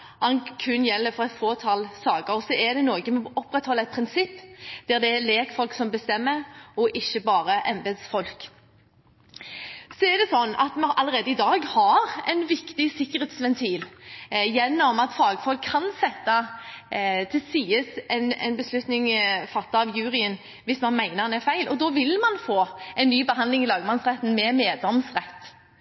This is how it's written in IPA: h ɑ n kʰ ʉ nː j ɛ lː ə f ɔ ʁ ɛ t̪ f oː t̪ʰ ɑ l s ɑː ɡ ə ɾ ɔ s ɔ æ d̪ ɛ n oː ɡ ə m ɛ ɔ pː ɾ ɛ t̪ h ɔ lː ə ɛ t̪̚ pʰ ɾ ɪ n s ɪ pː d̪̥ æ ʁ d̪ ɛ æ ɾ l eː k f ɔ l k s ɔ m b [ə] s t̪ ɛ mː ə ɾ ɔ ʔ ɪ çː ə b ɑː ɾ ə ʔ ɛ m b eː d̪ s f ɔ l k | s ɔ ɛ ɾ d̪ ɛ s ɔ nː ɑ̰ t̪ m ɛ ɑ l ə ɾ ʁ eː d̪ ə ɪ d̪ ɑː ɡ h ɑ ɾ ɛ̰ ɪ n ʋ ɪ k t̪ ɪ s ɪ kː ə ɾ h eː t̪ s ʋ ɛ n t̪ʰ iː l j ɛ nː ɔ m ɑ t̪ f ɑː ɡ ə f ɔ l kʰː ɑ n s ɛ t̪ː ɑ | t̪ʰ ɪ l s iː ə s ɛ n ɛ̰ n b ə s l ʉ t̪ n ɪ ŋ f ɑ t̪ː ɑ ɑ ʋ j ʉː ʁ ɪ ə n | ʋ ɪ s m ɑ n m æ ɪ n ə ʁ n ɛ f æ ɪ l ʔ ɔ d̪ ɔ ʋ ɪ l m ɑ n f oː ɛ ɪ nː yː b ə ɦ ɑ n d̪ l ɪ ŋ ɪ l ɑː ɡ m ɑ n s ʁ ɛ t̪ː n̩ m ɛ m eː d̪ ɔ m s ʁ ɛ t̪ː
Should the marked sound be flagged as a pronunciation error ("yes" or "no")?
no